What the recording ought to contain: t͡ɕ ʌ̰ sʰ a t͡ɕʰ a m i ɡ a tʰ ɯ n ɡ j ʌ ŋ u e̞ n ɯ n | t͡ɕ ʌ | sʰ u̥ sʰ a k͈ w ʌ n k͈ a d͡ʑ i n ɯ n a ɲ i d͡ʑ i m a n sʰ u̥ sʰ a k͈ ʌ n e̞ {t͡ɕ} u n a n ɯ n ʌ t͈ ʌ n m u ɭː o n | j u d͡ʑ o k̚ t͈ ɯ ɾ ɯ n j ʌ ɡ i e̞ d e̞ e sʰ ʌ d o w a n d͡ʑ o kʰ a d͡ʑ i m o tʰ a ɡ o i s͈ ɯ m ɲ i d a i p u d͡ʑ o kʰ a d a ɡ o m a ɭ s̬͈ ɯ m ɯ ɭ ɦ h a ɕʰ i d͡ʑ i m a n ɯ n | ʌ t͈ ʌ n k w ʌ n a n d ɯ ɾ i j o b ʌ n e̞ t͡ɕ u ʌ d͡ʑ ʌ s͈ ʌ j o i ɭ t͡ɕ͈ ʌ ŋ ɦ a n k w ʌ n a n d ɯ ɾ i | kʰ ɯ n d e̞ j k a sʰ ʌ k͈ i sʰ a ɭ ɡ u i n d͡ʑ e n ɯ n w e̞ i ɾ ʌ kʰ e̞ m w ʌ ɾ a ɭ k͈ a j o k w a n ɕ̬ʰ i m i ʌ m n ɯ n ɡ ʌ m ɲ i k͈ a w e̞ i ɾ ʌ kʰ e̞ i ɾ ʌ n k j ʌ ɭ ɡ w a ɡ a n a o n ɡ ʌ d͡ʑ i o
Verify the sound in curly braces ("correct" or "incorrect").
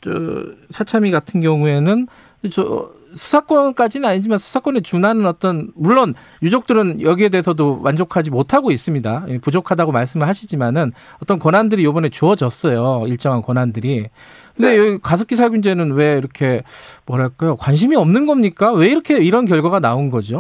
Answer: correct